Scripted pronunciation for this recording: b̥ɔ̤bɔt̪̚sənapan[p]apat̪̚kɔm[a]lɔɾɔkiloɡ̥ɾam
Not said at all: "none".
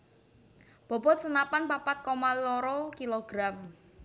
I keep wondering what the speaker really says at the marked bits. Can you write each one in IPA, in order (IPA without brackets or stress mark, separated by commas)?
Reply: p, a